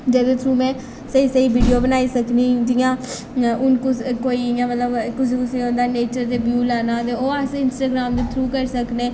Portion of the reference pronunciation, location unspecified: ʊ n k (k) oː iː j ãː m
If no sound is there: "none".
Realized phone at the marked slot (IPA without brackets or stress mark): k